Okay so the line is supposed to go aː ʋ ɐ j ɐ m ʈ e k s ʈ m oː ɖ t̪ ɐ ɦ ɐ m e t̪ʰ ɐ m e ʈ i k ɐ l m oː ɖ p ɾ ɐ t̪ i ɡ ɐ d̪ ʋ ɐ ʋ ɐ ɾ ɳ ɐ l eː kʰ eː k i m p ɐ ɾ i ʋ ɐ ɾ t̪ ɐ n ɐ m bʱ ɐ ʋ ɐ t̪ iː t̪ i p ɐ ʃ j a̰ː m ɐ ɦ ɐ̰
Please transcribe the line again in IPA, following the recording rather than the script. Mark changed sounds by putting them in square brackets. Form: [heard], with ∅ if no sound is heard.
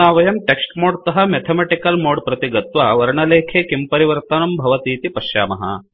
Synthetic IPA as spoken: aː ʋ ɐ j ɐ m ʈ e k s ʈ m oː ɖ t̪ ɐ ɦ ɐ m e t̪ʰ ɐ m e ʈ i k ɐ l m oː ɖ p ɾ ɐ t̪ i ɡ ɐ [t̪] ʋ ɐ ʋ ɐ ɾ ɳ ɐ l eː kʰ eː k i m p ɐ ɾ i ʋ ɐ ɾ t̪ ɐ n ɐ m bʱ ɐ ʋ ɐ t̪ iː t̪ i p ɐ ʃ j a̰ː m ɐ ɦ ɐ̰